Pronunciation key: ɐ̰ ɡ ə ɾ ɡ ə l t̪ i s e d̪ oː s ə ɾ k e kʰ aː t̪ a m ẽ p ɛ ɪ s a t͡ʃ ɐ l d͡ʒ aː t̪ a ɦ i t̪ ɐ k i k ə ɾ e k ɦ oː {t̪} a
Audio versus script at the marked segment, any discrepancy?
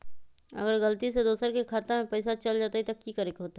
no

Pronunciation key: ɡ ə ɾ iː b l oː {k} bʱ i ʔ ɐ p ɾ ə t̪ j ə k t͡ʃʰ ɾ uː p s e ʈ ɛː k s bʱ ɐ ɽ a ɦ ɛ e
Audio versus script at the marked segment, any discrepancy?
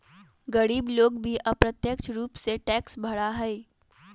yes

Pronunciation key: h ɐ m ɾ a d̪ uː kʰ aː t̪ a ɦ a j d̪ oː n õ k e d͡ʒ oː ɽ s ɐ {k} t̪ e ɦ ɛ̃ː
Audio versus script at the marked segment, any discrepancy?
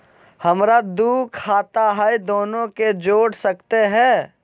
no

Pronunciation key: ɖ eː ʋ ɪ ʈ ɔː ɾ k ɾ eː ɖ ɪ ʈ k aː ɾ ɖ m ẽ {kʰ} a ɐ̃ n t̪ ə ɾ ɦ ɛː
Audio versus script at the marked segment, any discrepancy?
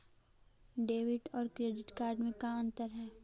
yes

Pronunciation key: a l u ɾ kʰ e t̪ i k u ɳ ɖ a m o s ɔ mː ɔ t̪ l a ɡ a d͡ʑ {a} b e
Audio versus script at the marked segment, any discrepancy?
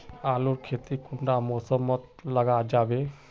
no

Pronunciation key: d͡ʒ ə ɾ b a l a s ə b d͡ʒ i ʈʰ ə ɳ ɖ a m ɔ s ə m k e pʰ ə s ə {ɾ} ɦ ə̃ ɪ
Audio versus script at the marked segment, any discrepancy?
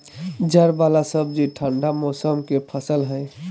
yes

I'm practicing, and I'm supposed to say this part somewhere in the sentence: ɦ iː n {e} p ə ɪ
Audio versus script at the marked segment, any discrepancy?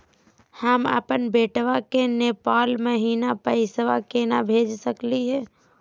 yes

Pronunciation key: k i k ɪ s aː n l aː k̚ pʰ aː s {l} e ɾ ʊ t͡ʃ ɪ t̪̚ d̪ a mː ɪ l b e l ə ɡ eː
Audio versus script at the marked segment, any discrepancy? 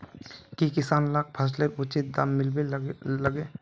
no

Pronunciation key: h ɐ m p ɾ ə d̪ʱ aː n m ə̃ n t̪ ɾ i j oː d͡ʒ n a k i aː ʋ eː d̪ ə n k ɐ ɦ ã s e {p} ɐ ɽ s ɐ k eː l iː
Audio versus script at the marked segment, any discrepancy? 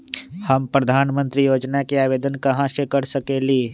yes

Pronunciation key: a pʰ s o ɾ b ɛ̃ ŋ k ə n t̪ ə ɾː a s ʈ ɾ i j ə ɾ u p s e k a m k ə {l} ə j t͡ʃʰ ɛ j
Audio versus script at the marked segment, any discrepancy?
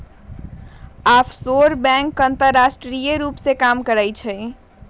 yes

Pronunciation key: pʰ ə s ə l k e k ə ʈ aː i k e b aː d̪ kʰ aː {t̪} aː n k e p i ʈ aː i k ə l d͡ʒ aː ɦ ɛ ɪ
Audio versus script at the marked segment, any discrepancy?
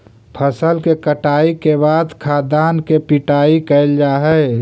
yes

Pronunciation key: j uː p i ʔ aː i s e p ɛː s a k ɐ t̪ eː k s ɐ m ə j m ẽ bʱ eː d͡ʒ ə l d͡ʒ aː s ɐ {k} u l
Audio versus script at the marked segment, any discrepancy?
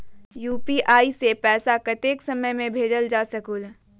no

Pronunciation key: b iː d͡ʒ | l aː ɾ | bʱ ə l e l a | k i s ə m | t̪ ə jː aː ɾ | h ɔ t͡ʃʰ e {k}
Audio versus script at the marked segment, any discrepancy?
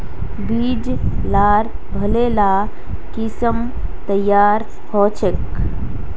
no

